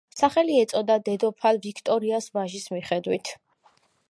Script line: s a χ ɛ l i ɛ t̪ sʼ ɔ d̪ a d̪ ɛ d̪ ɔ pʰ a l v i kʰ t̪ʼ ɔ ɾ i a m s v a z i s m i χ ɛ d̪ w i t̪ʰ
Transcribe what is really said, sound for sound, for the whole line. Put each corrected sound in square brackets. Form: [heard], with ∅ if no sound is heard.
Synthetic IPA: s a χ ɛ l i ɛ t̪ sʼ ɔ d̪ a d̪ ɛ d̪ ɔ pʰ a l v i kʰ t̪ʼ ɔ ɾ i a [∅] s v a [ʒ] i s m i χ ɛ d̪ w i t̪ʰ